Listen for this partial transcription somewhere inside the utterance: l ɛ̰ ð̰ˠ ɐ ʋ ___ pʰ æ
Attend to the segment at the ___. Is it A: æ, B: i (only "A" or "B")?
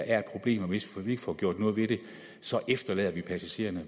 B